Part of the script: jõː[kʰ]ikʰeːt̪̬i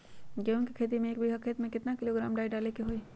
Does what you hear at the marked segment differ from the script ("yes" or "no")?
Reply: yes